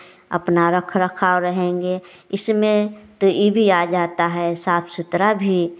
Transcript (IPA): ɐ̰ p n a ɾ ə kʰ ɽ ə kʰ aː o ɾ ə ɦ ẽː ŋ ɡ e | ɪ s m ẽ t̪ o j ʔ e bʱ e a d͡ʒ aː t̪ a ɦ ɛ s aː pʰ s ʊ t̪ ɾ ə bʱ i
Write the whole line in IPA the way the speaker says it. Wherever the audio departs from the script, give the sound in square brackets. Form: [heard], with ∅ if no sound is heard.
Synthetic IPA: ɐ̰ p n a ɾ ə kʰ [ɾ] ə kʰ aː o ɾ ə ɦ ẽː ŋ ɡ e | ɪ s m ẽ t̪ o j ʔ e bʱ [i] a d͡ʒ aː t̪ a ɦ ɛ s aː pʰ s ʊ t̪ ɾ [a] bʱ i